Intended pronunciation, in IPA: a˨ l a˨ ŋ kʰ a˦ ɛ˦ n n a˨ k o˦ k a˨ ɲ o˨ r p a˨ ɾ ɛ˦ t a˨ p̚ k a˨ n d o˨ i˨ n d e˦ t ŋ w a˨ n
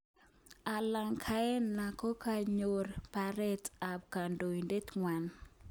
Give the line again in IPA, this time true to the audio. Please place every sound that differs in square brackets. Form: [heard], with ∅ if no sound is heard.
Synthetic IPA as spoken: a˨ l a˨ ŋ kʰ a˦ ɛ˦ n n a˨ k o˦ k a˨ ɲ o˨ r p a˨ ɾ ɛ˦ t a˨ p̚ k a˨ n d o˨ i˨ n d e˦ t ŋ w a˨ n